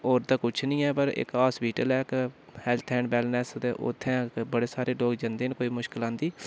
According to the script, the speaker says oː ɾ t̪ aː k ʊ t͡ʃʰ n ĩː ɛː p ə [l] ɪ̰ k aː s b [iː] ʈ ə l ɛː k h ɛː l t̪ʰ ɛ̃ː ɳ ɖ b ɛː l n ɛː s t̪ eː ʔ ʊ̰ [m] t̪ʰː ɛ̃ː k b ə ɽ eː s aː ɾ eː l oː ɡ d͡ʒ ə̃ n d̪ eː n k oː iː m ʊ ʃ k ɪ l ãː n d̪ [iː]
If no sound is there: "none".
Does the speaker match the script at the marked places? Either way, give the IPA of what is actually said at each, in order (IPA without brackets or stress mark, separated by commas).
ɾ, iː, none, iː